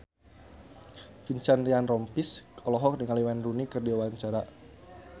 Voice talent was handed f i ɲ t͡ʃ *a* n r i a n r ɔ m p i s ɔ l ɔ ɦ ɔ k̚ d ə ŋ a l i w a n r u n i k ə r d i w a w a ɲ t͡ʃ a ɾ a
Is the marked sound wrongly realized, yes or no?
no